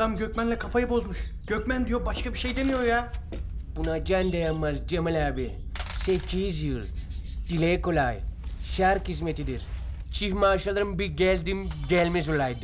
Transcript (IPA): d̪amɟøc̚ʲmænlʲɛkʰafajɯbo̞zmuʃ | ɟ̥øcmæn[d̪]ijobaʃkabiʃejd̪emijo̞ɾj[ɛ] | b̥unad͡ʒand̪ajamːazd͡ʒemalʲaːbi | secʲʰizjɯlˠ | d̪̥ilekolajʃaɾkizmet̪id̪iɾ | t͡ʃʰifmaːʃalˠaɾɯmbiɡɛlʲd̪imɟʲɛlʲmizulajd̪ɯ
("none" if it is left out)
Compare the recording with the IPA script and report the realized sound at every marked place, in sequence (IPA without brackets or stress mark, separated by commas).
d̪, a